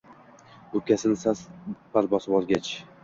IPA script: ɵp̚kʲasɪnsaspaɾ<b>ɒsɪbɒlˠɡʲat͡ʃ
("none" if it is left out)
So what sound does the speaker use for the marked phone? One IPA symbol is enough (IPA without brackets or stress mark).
b